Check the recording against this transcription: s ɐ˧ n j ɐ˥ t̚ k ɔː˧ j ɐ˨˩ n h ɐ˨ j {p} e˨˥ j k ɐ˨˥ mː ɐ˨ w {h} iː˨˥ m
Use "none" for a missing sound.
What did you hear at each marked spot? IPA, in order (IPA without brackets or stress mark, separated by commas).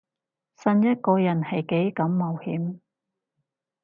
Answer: k, h